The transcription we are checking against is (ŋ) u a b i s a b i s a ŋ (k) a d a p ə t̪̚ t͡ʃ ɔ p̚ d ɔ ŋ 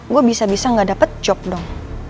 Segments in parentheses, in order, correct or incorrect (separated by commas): incorrect, incorrect